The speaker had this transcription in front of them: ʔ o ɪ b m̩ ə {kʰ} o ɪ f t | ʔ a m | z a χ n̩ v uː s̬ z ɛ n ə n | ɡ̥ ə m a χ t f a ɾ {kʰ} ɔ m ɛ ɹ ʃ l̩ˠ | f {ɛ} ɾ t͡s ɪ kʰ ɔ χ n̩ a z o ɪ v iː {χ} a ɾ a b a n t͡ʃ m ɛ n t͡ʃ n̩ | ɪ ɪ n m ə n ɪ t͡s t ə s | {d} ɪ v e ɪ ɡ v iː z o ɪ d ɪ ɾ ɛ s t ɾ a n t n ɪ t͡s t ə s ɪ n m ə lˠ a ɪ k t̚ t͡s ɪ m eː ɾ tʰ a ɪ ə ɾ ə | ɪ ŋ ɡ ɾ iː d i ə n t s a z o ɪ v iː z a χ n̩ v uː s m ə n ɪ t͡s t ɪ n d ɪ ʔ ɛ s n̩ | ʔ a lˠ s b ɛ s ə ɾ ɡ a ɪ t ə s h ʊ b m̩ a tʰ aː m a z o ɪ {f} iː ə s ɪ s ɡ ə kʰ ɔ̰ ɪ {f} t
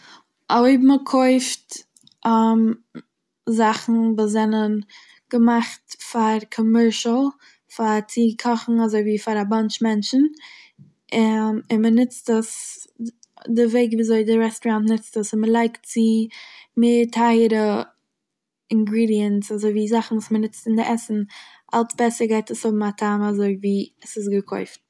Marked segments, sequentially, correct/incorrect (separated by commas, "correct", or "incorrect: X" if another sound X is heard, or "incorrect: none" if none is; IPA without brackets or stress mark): correct, correct, incorrect: a, incorrect: f, correct, incorrect: v, correct